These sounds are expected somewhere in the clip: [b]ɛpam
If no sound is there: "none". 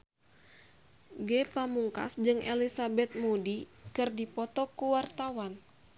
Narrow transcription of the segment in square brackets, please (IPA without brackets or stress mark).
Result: ɡ